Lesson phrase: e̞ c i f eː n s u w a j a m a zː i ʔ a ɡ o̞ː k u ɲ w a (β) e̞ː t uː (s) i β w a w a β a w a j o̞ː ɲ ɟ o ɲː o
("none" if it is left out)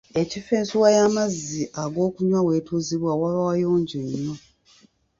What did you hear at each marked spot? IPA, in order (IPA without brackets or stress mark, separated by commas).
w, z